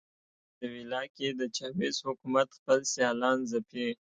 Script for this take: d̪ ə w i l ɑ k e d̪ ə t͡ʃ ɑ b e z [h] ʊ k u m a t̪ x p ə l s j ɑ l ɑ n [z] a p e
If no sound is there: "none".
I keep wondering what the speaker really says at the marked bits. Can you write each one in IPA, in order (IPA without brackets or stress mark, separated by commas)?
h, z